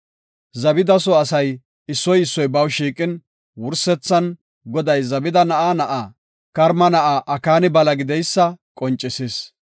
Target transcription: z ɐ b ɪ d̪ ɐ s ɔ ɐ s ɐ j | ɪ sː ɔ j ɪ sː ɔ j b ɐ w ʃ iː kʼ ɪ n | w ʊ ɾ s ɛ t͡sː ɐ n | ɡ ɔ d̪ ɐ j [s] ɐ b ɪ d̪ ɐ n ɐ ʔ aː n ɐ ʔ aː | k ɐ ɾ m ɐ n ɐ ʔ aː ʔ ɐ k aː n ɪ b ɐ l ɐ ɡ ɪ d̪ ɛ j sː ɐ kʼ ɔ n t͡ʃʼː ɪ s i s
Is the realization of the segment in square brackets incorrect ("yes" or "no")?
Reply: yes